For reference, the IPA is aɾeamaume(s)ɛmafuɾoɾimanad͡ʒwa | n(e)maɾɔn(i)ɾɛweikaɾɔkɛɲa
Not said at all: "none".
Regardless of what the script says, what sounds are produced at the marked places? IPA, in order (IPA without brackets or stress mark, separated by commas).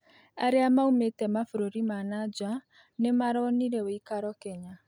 t, e, i